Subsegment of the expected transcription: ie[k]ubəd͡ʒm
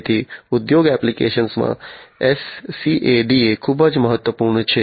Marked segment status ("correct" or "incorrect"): incorrect